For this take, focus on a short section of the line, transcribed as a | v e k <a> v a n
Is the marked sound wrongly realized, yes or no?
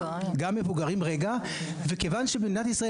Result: yes